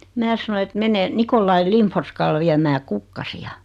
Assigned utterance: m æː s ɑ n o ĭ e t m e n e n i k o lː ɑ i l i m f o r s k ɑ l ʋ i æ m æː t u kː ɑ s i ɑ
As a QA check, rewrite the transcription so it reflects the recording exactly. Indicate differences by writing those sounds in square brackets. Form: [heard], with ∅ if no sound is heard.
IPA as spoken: m æː s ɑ n o ĭ e t m e n e n i k o lː ɑ i l i m f o r s k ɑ l ʋ i æ m æː [k] u kː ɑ s i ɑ